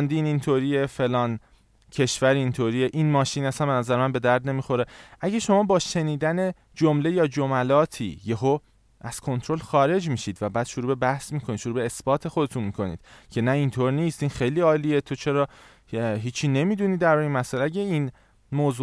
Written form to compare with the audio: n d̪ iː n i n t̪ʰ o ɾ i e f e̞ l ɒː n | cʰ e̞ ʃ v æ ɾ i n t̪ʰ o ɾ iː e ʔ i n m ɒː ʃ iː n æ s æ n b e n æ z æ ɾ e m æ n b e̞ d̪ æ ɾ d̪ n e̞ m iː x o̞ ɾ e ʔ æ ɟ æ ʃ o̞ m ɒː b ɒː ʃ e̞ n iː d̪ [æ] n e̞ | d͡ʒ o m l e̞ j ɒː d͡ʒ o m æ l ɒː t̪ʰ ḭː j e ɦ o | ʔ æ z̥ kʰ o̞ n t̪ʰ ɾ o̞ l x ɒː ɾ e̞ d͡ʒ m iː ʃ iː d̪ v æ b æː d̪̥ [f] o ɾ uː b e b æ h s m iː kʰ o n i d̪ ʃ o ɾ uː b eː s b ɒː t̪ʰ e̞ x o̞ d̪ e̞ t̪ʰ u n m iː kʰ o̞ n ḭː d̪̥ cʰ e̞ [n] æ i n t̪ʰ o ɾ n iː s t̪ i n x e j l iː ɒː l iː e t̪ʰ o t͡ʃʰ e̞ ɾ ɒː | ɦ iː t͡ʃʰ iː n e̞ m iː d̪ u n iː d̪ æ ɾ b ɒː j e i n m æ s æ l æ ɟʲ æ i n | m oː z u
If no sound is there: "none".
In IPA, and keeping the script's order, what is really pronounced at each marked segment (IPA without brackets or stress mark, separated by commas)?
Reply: æ, ʃ, n